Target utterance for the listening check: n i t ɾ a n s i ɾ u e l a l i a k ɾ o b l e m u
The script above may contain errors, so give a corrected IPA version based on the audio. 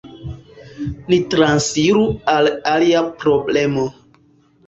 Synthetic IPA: n i t ɾ a n s i ɾ u a l a l i a p ɾ o b l e m o